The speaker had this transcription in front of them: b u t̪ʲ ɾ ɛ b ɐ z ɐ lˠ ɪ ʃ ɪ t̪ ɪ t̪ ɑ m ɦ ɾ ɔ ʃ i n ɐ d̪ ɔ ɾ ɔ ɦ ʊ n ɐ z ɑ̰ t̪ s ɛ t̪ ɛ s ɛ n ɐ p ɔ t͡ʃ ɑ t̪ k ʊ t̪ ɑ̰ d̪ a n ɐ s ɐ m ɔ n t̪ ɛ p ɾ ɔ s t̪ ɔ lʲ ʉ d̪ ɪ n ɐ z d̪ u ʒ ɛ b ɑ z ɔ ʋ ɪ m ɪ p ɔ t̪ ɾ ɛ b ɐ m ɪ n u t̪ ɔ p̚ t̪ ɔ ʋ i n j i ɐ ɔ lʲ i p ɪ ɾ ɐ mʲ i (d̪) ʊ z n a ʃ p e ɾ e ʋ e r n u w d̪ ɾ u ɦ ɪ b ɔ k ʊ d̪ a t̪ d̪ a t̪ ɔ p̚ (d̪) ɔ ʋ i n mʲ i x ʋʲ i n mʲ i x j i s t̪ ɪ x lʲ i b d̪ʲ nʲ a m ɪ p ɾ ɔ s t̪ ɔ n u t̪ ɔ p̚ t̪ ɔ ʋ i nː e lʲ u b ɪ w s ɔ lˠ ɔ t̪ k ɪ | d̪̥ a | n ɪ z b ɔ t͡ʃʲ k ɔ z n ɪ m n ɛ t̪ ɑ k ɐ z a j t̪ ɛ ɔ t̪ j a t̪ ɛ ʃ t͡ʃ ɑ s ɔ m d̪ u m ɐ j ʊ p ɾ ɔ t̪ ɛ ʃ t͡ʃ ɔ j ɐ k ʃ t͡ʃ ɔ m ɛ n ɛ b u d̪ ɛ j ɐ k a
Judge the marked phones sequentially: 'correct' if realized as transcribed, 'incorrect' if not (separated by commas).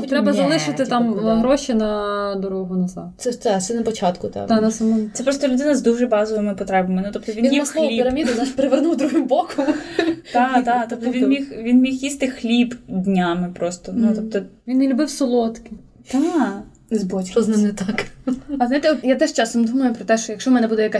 correct, incorrect